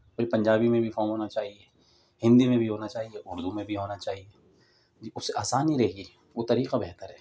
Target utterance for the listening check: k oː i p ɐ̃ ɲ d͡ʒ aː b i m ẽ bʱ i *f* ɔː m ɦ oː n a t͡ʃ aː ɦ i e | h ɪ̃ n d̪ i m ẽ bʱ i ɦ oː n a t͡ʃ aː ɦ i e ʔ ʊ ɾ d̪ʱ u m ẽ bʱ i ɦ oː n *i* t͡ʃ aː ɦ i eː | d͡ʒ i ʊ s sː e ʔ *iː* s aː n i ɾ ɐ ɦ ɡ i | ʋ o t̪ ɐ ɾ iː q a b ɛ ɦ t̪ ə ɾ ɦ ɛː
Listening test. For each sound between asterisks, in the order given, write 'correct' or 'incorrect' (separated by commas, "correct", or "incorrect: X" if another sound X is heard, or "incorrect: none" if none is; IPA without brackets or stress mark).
correct, incorrect: a, incorrect: aː